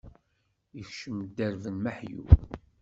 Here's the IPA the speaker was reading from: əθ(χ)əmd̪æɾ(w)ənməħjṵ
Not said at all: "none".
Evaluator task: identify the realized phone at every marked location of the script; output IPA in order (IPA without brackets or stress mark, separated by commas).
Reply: ʃ, v